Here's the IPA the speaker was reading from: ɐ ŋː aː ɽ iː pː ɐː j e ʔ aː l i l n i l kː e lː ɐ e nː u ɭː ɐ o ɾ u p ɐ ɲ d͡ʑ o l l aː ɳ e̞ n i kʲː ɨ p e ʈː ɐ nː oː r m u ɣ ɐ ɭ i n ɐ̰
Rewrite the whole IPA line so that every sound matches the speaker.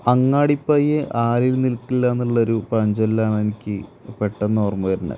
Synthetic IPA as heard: ɐ ŋː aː ɽ i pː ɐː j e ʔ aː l i l n i l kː i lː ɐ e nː u ɭː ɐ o ɾ u p ɐ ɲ d͡ʑ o l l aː ɳ e̞ n i kʲː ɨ p e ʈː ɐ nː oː r m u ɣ ɐ ɾ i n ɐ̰